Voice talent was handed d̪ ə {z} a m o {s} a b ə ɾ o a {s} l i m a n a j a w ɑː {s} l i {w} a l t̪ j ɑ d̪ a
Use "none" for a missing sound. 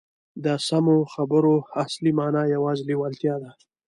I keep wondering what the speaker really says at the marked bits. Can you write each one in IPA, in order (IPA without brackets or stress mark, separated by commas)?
s, x, s, z, w